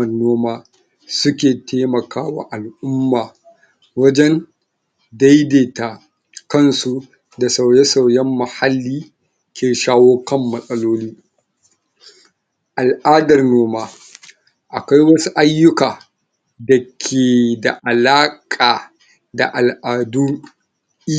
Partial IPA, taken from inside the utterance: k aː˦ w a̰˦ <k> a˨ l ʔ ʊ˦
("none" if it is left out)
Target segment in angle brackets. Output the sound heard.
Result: ʔ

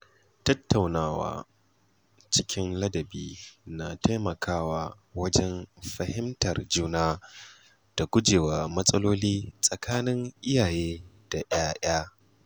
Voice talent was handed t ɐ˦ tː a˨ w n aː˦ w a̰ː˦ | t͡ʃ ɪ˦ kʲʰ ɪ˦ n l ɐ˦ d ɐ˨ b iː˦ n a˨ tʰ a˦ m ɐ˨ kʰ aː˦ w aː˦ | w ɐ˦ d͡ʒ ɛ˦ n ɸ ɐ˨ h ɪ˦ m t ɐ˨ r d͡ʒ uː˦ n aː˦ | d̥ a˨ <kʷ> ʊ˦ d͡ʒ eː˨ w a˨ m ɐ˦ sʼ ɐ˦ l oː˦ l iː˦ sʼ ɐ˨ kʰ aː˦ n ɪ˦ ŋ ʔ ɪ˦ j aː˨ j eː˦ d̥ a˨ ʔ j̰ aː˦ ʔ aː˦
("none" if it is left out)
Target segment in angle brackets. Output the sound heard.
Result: ɡʷ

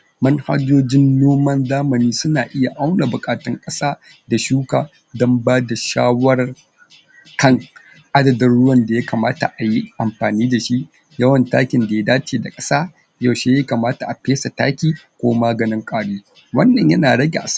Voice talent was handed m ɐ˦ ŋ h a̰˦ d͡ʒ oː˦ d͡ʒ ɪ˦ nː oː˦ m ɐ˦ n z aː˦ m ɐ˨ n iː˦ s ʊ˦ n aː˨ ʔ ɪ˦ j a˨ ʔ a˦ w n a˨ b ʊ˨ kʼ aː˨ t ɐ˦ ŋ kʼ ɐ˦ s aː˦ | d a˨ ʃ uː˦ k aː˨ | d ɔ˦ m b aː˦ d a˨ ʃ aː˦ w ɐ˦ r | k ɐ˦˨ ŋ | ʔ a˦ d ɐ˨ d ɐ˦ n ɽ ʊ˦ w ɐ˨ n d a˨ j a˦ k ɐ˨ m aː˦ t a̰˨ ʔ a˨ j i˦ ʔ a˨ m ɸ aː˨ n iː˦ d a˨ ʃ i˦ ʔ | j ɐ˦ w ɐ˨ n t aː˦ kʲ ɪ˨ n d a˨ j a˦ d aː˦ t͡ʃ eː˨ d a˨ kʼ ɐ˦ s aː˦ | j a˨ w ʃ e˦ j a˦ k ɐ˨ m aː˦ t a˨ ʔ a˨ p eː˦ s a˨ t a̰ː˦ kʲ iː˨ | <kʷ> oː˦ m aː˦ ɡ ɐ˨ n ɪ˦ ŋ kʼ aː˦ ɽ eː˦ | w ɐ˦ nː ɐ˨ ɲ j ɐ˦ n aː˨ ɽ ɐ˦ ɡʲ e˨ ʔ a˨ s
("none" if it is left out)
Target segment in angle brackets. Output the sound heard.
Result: kʷ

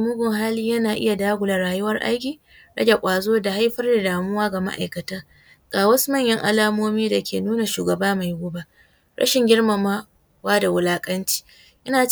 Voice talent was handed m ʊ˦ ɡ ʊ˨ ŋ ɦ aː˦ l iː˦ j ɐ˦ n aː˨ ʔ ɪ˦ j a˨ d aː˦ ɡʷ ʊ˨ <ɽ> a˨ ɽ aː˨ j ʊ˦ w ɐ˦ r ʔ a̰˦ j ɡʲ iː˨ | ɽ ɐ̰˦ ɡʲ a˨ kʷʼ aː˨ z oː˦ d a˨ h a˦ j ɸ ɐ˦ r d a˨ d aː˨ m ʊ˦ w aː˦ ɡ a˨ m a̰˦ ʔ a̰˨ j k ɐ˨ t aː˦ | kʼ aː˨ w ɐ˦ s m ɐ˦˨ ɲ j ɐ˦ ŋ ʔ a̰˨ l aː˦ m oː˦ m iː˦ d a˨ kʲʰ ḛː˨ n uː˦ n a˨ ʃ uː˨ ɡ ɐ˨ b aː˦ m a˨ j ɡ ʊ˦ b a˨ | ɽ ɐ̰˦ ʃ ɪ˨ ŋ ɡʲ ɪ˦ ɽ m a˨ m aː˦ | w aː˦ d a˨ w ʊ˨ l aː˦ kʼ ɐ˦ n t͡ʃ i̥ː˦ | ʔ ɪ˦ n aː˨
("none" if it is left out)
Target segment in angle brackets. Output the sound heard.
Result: l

